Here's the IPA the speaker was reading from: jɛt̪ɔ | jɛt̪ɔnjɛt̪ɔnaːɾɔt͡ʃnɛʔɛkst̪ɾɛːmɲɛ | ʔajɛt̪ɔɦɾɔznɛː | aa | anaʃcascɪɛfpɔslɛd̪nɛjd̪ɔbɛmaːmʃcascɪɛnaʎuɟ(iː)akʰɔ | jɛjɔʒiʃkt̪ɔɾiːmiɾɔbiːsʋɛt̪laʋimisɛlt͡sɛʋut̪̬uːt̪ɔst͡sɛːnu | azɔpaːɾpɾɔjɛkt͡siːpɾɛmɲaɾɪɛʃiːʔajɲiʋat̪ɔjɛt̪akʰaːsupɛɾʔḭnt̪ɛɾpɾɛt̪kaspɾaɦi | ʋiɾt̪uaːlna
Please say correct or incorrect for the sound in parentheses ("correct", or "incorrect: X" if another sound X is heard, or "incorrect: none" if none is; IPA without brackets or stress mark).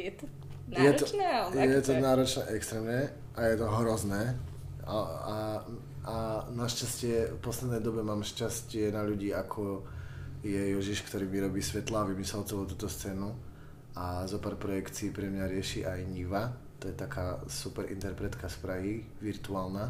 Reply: correct